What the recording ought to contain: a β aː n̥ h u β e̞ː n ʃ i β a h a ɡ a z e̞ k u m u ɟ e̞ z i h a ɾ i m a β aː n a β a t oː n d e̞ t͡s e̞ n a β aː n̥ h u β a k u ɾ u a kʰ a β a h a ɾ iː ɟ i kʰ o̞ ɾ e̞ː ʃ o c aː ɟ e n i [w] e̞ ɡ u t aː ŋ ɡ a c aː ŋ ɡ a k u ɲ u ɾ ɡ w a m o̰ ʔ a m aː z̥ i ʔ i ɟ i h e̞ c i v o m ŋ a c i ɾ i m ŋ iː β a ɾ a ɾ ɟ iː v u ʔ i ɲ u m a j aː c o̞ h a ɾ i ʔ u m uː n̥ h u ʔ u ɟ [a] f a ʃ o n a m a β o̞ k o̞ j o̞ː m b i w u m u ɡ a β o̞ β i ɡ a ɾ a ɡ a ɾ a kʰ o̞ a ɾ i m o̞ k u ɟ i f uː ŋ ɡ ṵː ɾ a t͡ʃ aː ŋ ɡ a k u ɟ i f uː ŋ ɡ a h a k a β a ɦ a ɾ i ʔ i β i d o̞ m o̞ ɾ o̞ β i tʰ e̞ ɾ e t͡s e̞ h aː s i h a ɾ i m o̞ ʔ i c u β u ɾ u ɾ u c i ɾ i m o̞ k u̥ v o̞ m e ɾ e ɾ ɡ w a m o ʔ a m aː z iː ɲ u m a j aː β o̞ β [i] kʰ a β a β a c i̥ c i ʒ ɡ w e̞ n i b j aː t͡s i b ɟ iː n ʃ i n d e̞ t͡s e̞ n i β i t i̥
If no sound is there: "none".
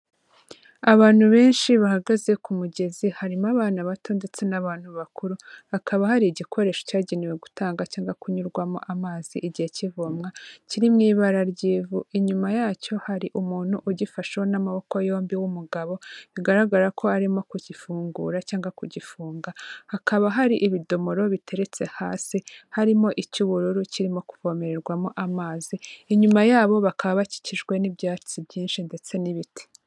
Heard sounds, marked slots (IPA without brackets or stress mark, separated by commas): w, i, a